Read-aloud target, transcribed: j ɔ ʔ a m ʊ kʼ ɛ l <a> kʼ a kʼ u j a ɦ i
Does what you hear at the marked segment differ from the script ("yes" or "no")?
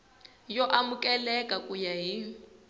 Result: yes